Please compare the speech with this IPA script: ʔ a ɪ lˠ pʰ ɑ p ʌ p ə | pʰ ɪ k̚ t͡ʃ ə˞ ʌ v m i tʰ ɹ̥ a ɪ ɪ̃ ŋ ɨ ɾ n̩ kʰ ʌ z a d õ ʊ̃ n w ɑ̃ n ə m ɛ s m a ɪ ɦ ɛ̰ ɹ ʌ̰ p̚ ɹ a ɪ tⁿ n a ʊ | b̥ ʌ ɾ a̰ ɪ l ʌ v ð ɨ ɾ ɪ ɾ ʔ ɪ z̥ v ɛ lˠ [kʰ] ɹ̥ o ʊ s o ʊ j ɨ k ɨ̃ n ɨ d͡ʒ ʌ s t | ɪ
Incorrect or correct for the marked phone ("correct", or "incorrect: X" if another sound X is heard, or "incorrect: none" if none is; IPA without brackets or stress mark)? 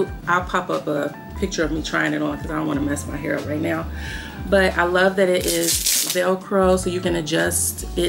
correct